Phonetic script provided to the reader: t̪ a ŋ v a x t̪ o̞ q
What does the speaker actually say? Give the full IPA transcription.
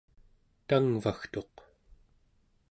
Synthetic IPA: t̪ a ŋ v a x t̪ o̞ q